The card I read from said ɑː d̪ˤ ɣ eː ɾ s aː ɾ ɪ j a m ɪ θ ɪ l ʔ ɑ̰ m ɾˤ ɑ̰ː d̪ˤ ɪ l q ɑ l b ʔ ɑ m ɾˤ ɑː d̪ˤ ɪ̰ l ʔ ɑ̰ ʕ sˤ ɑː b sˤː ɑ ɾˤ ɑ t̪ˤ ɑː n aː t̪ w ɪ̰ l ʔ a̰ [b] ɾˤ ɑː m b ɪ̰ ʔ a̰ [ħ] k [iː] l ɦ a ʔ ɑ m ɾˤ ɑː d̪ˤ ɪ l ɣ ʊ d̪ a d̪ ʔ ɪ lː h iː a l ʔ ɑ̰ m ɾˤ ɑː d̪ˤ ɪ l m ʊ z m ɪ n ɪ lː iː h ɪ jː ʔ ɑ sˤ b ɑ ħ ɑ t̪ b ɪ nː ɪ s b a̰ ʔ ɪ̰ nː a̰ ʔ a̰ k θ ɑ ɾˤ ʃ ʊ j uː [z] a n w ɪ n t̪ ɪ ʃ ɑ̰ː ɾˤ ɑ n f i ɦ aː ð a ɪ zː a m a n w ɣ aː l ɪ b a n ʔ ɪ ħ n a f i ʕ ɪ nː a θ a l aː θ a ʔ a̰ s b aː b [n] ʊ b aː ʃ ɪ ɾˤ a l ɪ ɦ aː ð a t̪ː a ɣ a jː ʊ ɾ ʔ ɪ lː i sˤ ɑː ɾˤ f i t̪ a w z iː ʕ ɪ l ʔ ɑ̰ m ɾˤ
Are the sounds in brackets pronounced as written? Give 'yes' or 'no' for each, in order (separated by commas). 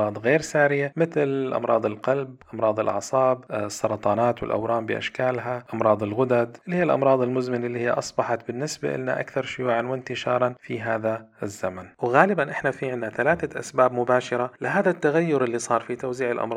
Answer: no, no, no, no, no